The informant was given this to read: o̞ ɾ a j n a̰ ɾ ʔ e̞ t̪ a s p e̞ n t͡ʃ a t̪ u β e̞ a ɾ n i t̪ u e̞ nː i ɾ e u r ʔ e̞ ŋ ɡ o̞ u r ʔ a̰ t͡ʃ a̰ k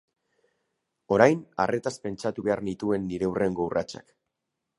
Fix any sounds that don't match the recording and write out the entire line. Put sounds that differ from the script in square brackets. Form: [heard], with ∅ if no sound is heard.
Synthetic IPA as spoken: o̞ ɾ a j n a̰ [r] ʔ e̞ t̪ a s p e̞ n t͡ʃ a t̪ u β e̞ a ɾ n i t̪ u e̞ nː i ɾ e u r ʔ e̞ ŋ ɡ o̞ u r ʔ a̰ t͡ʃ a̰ k